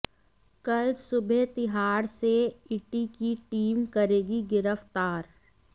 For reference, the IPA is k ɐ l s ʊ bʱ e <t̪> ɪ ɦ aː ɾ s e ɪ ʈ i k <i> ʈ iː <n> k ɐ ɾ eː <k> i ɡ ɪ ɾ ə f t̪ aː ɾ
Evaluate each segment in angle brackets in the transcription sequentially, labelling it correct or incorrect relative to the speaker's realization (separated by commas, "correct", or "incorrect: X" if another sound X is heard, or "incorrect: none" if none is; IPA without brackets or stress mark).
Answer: correct, correct, incorrect: m, incorrect: ɡ